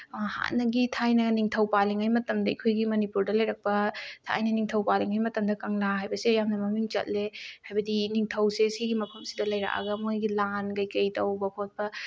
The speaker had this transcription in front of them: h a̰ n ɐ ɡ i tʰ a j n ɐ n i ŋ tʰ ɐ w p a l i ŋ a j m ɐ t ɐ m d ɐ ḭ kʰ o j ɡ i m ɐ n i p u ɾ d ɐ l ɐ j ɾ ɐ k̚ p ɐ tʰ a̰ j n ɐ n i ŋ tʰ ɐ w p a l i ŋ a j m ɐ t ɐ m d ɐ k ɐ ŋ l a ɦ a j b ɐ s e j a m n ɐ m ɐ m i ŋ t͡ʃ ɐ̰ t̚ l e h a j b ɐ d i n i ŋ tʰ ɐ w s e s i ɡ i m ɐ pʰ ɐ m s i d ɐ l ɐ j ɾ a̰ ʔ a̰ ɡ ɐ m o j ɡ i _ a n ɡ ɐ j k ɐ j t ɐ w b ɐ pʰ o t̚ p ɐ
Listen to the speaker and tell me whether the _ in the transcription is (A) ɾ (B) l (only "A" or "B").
B